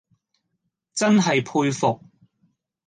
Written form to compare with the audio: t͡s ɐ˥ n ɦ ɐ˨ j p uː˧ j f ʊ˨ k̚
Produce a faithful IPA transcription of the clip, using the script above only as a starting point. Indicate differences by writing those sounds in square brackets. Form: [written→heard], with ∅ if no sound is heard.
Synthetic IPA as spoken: t͡s ɐ˥ n ɦ ɐ˨ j [p→pʰ] uː˧ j f ʊ˨ k̚